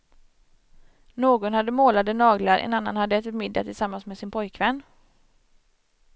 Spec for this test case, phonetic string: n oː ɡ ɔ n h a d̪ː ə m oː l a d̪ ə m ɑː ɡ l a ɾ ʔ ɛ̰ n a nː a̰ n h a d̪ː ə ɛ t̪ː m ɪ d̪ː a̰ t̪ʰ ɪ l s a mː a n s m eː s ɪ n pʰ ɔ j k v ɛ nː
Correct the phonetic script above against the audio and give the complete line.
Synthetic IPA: n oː ɡ ɔ n h a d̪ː ə m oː l a d̪ ə n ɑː ɡ l a ɾ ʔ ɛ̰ n a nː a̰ n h a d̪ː ə ɛ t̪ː m ɪ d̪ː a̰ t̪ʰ ɪ l s a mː a n s m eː s ɪ n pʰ ɔ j k v ɛ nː